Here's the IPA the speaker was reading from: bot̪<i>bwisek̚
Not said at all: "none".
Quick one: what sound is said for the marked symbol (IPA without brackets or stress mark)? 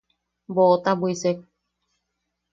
a